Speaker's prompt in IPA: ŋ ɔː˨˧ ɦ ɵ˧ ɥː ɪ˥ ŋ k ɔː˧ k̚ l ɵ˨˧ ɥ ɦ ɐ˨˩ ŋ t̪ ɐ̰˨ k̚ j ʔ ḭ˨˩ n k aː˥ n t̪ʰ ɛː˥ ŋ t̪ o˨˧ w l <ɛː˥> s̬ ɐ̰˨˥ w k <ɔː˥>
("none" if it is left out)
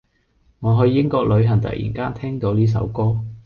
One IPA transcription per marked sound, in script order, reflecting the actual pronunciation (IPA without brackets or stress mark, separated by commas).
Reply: iː˥, ɔː˥